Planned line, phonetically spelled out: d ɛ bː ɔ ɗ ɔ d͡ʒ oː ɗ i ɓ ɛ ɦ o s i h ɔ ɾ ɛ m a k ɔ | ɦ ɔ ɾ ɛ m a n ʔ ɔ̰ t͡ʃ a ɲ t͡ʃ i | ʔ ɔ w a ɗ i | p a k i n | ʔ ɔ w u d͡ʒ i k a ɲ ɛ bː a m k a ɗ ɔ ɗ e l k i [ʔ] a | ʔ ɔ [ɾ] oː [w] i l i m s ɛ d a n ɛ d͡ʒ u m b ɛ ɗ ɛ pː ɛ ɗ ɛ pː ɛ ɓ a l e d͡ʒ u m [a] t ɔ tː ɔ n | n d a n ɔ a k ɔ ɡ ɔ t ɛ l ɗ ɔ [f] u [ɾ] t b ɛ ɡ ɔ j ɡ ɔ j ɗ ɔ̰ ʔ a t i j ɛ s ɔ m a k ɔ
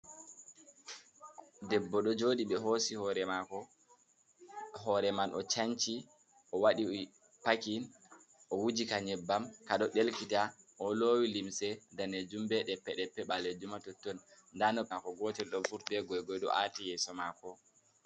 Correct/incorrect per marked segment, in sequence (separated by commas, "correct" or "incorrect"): incorrect, incorrect, correct, correct, correct, correct